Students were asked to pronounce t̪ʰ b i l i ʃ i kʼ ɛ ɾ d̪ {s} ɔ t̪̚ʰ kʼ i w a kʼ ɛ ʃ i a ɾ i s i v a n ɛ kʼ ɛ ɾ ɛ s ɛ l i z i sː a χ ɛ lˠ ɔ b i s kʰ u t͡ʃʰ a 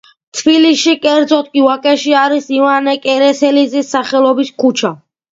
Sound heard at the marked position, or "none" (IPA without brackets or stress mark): z